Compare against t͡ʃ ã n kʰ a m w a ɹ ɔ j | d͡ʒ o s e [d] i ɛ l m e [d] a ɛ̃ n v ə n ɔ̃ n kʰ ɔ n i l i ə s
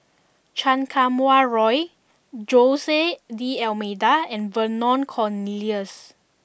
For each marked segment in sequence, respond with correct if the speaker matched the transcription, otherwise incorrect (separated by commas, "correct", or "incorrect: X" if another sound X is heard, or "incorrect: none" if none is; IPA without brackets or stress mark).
correct, correct